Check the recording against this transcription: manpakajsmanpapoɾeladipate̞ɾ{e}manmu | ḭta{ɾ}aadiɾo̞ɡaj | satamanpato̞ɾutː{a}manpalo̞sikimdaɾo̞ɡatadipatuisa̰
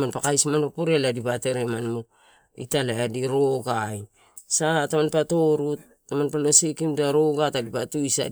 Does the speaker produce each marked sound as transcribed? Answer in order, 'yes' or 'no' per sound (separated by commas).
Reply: yes, no, yes